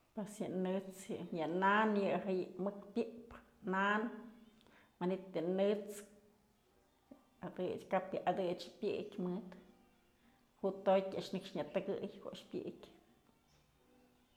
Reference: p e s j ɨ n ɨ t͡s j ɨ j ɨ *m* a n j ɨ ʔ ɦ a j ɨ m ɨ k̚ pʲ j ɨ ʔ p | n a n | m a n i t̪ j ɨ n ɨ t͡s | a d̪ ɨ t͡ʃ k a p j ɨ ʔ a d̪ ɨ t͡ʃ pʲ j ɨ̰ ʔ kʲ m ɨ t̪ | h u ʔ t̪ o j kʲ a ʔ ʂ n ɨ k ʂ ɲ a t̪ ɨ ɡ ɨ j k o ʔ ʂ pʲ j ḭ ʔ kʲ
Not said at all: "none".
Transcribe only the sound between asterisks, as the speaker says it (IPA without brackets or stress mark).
n